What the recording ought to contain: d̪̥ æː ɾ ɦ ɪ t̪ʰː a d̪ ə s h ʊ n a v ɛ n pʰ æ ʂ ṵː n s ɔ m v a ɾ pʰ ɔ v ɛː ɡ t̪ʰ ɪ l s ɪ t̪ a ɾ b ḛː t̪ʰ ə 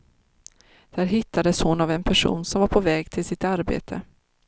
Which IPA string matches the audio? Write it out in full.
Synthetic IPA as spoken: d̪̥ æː ɾ ɦ ɪ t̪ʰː a d̪ ə s h ʊ n a v ɛ n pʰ æ ʂ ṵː n s ɔ m v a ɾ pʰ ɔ v ɛː ɡ t̪ʰ ɪ l s ɪ t̪ a ɾ b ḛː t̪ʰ ə